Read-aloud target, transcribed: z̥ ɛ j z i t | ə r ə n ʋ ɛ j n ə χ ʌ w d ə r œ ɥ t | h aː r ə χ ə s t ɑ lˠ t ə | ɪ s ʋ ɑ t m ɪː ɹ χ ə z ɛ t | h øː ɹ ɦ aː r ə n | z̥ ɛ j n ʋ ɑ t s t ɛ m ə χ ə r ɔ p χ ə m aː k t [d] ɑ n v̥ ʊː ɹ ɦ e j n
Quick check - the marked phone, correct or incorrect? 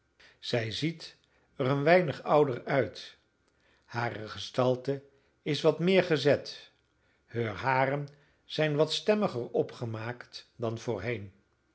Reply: correct